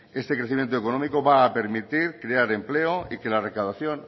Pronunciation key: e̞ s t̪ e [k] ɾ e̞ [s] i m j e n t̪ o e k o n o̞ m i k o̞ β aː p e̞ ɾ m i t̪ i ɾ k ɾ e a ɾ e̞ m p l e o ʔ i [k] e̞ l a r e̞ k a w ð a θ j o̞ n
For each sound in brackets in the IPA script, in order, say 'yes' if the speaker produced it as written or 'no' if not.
yes, no, yes

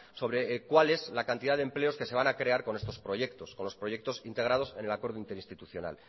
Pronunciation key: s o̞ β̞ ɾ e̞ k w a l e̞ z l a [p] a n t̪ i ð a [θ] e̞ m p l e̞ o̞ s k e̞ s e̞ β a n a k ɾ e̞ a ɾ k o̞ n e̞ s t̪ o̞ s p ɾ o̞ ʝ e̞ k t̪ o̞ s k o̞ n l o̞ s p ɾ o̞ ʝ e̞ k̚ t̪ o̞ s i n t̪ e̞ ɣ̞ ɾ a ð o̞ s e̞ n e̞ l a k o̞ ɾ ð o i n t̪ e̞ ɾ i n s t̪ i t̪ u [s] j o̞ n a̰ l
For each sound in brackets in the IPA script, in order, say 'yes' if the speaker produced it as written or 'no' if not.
no, no, no

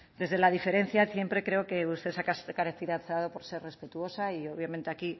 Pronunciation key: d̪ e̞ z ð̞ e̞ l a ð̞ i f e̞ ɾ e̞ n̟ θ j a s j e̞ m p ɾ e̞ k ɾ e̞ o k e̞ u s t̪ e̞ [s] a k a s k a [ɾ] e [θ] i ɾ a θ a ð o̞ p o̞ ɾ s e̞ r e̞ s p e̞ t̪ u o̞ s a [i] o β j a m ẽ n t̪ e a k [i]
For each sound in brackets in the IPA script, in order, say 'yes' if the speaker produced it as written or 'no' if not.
yes, yes, yes, yes, yes

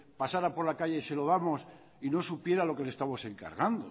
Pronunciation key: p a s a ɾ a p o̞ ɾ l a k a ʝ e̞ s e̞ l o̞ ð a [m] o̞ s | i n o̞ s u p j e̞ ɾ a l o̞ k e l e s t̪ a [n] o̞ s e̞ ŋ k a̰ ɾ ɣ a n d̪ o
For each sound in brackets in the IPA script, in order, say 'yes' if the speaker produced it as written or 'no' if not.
yes, no

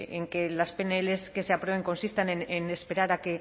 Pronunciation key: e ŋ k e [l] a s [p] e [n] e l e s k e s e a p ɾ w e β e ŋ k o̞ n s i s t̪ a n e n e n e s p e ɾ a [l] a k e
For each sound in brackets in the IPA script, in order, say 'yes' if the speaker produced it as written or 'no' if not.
yes, yes, yes, no

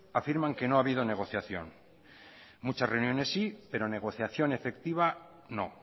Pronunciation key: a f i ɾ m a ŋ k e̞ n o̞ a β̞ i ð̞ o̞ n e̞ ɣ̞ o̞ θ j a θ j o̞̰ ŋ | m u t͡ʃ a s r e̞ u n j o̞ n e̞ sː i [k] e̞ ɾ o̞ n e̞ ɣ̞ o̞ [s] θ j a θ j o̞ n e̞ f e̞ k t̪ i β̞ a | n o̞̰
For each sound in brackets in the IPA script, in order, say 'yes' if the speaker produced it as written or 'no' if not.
no, no

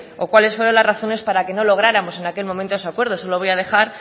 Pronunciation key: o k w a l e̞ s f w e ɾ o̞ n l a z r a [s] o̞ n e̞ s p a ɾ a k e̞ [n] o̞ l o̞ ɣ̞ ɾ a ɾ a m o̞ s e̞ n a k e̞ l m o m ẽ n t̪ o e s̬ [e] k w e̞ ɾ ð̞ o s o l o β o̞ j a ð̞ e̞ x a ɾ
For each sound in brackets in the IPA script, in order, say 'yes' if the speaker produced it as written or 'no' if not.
no, yes, no

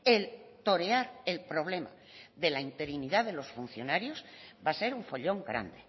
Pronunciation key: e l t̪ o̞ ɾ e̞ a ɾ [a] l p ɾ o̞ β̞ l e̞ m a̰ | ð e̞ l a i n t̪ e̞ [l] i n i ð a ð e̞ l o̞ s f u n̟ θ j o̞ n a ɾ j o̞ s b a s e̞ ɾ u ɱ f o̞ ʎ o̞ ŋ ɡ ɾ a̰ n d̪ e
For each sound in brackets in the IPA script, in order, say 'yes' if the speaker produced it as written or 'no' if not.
no, no

